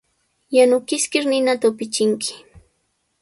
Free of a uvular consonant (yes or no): yes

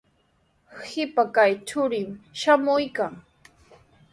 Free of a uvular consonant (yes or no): yes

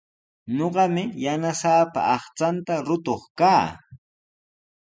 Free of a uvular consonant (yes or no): no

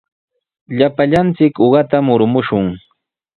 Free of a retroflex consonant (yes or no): yes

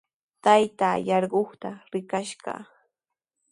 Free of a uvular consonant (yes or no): no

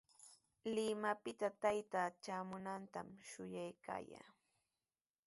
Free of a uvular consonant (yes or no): yes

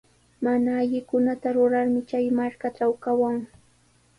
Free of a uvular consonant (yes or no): yes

